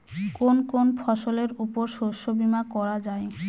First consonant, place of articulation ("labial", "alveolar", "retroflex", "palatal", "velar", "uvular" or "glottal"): velar